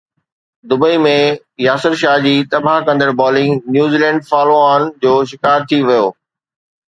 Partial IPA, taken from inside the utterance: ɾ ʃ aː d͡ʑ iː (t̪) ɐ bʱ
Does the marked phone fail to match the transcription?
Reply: no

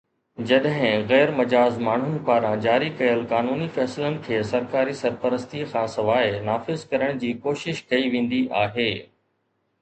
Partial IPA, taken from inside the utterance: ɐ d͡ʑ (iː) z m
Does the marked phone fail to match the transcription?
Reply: yes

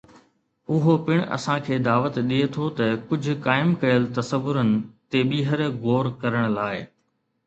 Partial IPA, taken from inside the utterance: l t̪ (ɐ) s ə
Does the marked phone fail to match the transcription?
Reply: no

